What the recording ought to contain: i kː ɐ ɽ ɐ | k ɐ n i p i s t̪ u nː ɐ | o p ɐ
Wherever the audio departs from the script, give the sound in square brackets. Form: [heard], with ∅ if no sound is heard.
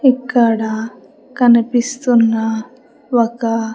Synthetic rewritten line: i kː ɐ ɽ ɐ | k ɐ n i p i s t̪ u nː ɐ | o [k] ɐ

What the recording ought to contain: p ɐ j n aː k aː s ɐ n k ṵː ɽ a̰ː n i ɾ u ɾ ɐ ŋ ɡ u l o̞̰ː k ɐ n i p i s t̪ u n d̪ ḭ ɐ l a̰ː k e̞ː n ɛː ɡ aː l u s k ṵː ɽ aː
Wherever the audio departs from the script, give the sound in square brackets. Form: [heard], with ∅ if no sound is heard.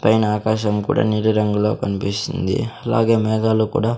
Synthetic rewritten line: p ɐ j n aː k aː [ʃ] ɐ [m] k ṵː ɽ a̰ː n i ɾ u ɾ ɐ ŋ ɡ u l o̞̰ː k ɐ n i p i s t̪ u n d̪ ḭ ɐ l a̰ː [ɡ] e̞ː [m] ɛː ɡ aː l u [∅] k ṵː ɽ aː

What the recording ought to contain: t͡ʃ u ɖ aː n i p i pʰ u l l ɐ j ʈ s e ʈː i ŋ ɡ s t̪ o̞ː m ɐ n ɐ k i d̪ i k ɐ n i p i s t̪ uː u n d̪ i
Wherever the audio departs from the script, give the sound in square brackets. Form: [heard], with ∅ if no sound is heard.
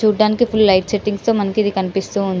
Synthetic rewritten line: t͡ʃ [uː] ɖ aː n i [k] i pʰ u l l ɐ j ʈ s e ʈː i ŋ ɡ s t̪ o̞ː m ɐ n ɐ k i d̪ i k ɐ n i p i s t̪ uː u n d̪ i

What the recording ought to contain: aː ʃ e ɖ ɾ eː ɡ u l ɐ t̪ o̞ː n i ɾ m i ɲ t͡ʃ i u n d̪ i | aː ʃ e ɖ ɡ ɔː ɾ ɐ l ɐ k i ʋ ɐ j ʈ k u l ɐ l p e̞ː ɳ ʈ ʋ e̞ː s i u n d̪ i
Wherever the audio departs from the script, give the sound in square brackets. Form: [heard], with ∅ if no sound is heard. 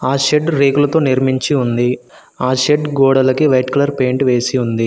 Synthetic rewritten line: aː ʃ e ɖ ɾ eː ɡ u l ɐ t̪ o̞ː n i ɾ m i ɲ t͡ʃ i u n d̪ i | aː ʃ e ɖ ɡ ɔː [ɽ] ɐ l ɐ k i ʋ ɐ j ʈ k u l ɐ [ɾ] p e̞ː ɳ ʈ ʋ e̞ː s i u n d̪ i

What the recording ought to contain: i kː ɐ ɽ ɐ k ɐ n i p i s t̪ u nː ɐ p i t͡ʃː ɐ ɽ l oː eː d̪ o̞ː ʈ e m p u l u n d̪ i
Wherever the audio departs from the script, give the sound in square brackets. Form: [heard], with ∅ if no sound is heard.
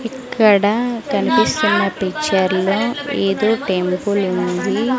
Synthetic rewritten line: i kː ɐ ɽ ɐ k ɐ n i p i s t̪ u nː ɐ p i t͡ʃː ɐ [ɾ] l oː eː d̪ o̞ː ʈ e m p u l u n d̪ i

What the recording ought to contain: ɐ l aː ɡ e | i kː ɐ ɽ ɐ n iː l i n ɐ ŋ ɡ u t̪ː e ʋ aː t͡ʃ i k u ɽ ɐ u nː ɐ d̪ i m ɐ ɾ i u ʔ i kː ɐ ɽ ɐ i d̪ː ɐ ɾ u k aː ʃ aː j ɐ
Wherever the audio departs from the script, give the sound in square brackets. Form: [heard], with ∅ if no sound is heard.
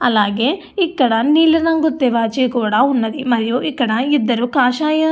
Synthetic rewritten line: ɐ l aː ɡ e | i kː ɐ ɽ ɐ n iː l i n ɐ ŋ ɡ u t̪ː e ʋ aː t͡ʃ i k [uː] ɽ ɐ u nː ɐ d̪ i m ɐ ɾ [j] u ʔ i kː ɐ ɽ ɐ i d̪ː ɐ ɾ u k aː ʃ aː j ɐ

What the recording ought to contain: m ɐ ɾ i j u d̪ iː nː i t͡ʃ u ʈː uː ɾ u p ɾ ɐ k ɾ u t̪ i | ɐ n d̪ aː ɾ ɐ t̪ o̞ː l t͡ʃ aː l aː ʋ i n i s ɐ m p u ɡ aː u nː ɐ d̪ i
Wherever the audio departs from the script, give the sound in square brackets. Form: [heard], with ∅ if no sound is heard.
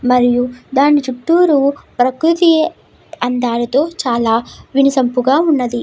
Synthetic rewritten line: m ɐ ɾ i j u d̪ [aː] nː i t͡ʃ u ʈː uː ɾ u p ɾ ɐ k ɾ u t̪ i | ɐ n d̪ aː ɾ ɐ t̪ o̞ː [∅] t͡ʃ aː l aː ʋ i n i s ɐ m p u ɡ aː u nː ɐ d̪ i

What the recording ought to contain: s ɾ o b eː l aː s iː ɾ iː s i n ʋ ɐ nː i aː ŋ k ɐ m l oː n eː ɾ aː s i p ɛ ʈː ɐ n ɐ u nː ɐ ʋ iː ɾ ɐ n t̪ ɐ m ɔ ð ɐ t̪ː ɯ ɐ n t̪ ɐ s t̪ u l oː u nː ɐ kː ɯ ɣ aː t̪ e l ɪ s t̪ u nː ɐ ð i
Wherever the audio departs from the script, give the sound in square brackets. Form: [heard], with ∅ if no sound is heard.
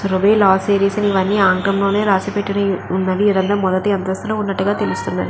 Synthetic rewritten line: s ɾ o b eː l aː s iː ɾ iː s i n ʋ ɐ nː i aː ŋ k ɐ m l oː n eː ɾ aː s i p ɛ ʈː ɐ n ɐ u nː ɐ ʋ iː ɾ ɐ n [d̪] ɐ m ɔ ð ɐ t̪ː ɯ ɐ n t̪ ɐ s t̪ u l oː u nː ɐ [ʈː] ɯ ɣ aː t̪ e l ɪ s t̪ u nː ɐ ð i

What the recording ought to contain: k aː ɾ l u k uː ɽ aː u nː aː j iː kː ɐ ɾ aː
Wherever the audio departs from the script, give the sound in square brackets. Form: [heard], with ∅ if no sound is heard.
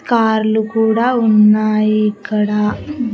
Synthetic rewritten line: k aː ɾ l u k uː ɽ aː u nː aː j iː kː ɐ [ɽ] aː

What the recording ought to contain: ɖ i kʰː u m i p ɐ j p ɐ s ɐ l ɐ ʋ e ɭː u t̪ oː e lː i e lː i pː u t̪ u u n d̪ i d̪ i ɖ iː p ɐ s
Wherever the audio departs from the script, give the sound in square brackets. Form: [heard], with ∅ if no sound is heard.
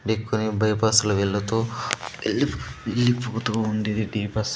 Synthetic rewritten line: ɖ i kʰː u [n] i [b] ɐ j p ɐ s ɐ l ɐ ʋ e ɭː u t̪ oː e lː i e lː i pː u t̪ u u n d̪ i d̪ i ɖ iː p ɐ s

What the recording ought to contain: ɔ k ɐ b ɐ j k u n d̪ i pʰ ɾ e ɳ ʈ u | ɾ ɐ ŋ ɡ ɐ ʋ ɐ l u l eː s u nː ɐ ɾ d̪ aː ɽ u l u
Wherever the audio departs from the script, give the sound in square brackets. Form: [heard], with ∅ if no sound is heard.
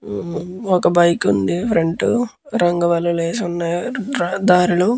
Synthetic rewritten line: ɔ k ɐ b ɐ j k u n d̪ i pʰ ɾ e ɳ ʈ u | ɾ ɐ ŋ ɡ ɐ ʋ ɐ l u l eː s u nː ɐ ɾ d̪ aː [ɾ] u l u

